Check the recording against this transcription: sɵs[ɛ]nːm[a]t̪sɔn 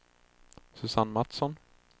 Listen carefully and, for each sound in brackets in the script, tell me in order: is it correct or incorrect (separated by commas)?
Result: incorrect, correct